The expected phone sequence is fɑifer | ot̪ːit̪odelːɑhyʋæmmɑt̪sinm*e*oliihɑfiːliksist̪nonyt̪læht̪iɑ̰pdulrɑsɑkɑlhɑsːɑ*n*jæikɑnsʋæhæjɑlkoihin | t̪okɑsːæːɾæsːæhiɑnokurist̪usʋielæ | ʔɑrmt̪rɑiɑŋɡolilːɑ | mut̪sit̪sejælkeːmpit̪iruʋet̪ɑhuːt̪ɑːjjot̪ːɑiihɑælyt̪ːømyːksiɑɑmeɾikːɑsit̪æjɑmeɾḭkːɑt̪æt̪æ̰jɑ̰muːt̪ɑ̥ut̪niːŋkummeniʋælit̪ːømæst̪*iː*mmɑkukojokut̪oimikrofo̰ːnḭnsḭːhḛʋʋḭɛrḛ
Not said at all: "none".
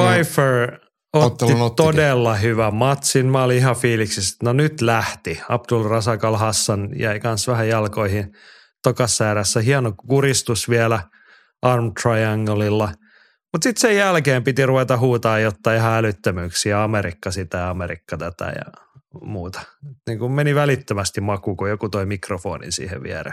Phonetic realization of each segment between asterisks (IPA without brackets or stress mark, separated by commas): æ, n, i